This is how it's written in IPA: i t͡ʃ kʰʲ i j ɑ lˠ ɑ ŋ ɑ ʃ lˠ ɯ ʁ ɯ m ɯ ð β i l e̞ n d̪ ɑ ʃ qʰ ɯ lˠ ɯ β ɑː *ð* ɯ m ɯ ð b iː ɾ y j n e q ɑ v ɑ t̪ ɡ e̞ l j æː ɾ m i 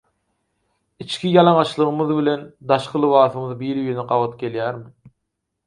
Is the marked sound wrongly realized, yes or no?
yes